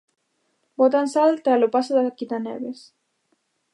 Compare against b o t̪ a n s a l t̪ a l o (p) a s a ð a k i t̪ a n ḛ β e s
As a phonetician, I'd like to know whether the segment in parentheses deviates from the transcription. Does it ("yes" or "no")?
no